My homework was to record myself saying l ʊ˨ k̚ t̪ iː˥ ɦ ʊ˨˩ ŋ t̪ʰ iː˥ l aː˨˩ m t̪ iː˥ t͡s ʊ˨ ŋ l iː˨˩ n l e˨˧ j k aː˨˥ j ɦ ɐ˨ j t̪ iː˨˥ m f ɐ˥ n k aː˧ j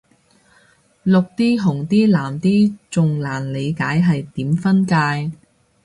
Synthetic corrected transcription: l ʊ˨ k̚ t̪ iː˥ ɦ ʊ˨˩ ŋ t̪ iː˥ l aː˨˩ m t̪ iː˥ t͡s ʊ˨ ŋ l aː˨˩ n l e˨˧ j k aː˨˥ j ɦ ɐ˨ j t̪ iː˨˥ m f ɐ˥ n k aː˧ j